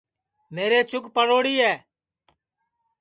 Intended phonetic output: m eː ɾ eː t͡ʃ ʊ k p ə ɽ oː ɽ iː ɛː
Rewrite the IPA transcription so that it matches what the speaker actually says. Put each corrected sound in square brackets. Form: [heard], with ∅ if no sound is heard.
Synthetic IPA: m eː ɾ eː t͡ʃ ʊ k p ə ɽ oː ɽ iː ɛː